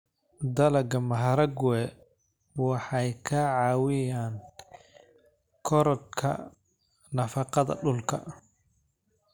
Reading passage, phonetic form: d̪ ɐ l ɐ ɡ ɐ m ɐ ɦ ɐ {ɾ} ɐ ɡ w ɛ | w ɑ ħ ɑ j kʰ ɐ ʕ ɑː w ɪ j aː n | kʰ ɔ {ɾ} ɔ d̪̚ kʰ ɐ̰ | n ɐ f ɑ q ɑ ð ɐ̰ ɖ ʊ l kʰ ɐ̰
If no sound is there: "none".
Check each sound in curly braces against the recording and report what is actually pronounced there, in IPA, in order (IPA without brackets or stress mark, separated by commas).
ɾ, ɾ